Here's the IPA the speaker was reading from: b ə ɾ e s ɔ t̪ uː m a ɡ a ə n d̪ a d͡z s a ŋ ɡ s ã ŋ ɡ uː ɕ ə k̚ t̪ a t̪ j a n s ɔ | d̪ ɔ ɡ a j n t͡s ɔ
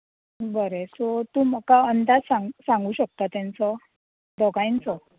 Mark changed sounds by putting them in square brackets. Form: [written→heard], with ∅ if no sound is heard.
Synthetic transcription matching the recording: b ə ɾ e s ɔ t̪ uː m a [ɡ→k] a ə n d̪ a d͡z s a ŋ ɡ s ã ŋ ɡ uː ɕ ə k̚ t̪ a t̪ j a n [s→t͡s] ɔ | d̪ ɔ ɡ a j n t͡s ɔ

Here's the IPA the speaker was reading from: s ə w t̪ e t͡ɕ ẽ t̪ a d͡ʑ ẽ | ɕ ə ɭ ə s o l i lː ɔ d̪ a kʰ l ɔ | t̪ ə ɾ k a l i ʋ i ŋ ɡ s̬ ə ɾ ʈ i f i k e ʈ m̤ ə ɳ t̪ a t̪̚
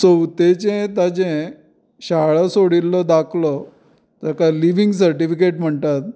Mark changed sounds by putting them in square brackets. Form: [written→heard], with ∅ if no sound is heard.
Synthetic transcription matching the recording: s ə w t̪ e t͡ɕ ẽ t̪ a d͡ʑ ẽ | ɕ [ə→a] ɭ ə s o [l→ɽ] i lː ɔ d̪ a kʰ l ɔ | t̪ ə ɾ k a l i ʋ i ŋ ɡ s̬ ə ɾ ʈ i f i k e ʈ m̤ ə ɳ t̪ a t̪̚

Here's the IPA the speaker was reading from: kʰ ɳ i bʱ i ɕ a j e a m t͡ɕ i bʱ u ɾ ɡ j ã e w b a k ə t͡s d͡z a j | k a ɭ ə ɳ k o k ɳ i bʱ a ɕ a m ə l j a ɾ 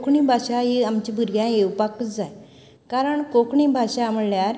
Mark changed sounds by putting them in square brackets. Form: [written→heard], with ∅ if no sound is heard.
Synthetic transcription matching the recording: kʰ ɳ i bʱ [i→a] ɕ a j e a m t͡ɕ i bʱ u ɾ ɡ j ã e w [b→p] a k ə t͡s d͡z a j | k a [ɭ→ɾ] ə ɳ k o k ɳ i bʱ a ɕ a m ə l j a ɾ

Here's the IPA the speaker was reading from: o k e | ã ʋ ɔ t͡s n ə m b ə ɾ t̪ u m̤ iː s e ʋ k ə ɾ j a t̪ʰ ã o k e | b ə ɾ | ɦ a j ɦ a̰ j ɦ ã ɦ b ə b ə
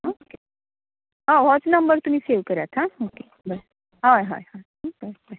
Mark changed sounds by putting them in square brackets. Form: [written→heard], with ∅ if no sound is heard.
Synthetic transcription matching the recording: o k e | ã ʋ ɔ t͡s n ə m b ə ɾ t̪ u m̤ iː s e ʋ k ə ɾ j a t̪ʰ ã o k e | b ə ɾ | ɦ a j ɦ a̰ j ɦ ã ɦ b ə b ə

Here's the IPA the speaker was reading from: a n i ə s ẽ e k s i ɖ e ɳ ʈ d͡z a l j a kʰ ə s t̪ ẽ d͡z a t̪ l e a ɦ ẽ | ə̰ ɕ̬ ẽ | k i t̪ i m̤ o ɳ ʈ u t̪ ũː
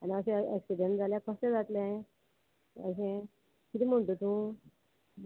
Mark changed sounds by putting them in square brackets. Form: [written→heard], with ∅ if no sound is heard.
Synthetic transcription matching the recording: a n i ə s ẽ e k s i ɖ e ɳ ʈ d͡z a l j a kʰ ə s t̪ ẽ d͡z a t̪ l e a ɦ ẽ | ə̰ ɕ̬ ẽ | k i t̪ i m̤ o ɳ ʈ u t̪ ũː

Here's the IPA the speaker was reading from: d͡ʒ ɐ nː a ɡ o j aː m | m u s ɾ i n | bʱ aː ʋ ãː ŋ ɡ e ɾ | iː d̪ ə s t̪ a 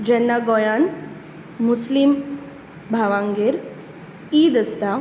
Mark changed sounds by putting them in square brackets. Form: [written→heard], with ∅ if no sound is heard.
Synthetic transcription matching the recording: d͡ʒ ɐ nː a ɡ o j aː [m→n] | m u s [ɾ→l] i [n→m] | bʱ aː ʋ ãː ŋ ɡ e ɾ | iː d̪ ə s t̪ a

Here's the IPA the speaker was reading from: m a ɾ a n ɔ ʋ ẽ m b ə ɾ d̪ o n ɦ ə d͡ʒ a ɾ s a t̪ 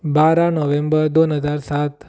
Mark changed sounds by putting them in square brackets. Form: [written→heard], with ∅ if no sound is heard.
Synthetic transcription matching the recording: [m→b] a ɾ a n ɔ ʋ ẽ m b ə ɾ d̪ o n ɦ ə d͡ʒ a ɾ s a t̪

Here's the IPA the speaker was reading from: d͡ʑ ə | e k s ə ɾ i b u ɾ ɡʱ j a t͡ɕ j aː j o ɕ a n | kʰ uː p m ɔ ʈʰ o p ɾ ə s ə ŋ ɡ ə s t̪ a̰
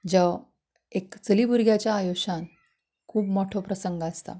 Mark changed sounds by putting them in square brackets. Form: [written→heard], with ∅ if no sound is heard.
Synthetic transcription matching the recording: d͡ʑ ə | e k [s→t͡s] ə [ɾ→l] i b u ɾ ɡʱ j a t͡ɕ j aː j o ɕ a n | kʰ uː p m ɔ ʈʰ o p ɾ ə s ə ŋ ɡ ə s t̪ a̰

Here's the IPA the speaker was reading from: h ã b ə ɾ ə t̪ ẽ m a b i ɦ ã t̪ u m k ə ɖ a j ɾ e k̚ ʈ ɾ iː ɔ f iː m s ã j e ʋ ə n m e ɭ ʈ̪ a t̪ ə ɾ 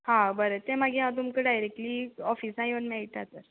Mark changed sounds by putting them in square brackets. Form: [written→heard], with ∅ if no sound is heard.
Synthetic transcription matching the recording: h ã b ə ɾ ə t̪ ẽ m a [b→ɡ] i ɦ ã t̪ u m k ə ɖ a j ɾ e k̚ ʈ [ɾ→l] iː ɔ f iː [m→∅] s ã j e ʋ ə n m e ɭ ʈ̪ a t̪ ə ɾ

